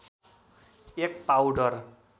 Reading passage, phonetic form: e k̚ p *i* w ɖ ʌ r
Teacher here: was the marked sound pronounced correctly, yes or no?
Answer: no